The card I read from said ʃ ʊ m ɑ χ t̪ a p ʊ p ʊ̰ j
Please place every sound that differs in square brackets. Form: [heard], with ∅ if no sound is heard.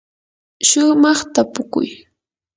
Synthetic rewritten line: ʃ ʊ m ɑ χ t̪ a p ʊ [k] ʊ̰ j